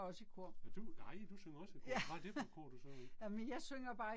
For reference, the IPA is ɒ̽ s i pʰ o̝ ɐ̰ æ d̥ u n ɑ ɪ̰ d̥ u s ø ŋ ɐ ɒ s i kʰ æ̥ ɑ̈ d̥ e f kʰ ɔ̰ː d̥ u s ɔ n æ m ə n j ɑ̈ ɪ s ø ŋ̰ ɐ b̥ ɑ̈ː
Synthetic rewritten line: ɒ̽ s i kʰ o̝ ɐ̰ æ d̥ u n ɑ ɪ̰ d̥ u s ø ŋ ɐ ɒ s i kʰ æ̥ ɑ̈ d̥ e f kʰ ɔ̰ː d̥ u s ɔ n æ m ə n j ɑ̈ ɪ s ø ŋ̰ ɐ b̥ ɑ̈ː